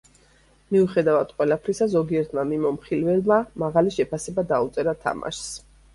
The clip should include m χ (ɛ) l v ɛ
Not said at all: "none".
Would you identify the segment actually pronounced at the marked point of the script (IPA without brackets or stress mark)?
i